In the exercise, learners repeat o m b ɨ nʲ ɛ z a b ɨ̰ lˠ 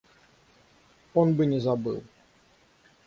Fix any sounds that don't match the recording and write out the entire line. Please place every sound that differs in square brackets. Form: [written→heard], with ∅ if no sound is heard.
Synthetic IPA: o [m→n] b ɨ nʲ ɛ z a b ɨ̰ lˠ